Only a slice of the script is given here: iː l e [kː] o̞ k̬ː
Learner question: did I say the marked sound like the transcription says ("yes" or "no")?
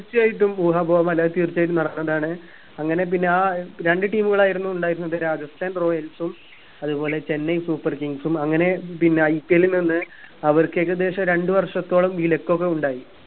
yes